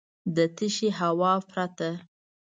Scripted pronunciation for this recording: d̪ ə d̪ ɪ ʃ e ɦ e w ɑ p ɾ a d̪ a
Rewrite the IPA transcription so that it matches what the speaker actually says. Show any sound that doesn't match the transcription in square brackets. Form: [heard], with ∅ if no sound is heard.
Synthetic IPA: d̪ ə [t̪] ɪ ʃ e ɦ [a] w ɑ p ɾ a [t̪] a